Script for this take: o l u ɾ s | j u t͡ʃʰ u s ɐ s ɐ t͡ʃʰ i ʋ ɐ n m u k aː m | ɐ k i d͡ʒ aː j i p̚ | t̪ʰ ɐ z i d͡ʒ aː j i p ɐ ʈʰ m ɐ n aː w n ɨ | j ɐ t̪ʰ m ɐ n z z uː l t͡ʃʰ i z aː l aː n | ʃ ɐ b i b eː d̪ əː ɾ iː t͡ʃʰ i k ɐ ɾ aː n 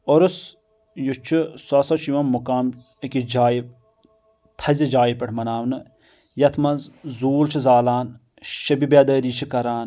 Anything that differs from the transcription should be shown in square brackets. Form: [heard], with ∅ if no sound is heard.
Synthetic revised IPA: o [ɾ] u [∅] s | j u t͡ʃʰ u s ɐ s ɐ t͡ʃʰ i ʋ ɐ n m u k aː m | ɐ k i d͡ʒ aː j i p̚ | t̪ʰ ɐ z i d͡ʒ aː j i p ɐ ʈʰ m ɐ n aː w n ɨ | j ɐ t̪ʰ m ɐ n z z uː l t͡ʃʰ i z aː l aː n | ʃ ɐ b i b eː d̪ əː ɾ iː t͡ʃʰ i k ɐ ɾ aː n